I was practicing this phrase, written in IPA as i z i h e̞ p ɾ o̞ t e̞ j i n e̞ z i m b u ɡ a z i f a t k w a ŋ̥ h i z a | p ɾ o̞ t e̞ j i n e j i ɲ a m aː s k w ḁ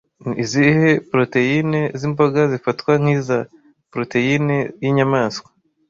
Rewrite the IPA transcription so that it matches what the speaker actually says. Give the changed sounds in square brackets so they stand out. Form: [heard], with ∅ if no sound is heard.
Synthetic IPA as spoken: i z i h e̞ p ɾ o̞ t e̞ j i n e̞ z i m b [o] ɡ a z i f a t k w a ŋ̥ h i z a | p ɾ o̞ t e̞ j i n e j i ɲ a m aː s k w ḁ